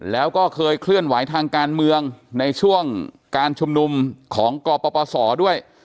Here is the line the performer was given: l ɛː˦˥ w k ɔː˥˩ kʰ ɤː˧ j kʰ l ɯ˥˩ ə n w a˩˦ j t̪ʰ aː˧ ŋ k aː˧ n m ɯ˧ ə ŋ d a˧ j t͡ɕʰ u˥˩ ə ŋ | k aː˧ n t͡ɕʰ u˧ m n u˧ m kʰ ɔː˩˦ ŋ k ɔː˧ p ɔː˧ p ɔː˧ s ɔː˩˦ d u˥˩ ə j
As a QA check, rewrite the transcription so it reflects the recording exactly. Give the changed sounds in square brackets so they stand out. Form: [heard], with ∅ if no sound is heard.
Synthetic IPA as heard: l ɛː˦˥ w k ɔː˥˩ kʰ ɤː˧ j kʰ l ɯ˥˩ ə n w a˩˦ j t̪ʰ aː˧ ŋ k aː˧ n m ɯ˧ ə ŋ [n] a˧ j t͡ɕʰ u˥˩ ə ŋ | k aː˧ n t͡ɕʰ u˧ m n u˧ m kʰ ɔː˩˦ ŋ k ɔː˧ p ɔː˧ p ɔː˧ s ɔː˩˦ d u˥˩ ə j